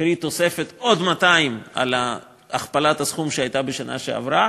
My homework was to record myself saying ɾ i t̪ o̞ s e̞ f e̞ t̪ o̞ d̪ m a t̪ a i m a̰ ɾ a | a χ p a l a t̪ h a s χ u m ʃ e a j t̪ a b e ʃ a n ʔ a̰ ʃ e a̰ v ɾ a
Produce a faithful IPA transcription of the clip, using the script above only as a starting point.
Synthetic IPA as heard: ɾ i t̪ o̞ s e̞ f e̞ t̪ o̞ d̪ m a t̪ a i m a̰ l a | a χ p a l a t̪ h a s χ u m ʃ e a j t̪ a b e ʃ a n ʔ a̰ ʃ e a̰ v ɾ a